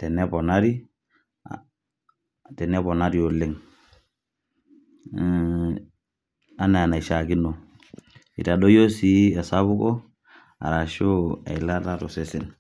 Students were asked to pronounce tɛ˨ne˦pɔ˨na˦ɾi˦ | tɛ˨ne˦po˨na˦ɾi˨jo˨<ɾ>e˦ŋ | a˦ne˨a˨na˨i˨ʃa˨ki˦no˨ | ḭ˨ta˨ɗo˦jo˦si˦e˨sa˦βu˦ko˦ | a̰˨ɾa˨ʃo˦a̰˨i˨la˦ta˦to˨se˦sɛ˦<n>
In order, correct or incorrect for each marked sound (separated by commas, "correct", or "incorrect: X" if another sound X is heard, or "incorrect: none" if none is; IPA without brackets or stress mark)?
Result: incorrect: l, correct